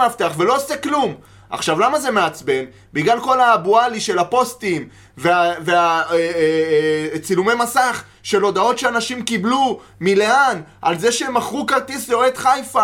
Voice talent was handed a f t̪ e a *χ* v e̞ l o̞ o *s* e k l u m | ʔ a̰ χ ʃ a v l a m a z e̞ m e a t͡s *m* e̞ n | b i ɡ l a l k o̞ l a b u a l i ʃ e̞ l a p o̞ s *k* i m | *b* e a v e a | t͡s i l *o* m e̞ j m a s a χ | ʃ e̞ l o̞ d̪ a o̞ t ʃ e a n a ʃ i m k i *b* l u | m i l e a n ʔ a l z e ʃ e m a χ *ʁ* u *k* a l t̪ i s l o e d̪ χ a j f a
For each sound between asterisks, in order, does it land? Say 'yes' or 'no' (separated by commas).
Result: yes, yes, no, no, no, no, yes, yes, yes